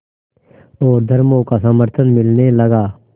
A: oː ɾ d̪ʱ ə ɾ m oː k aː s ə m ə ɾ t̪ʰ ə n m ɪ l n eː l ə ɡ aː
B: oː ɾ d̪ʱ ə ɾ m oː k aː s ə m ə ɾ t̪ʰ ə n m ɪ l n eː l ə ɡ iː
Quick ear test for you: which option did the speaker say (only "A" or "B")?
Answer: A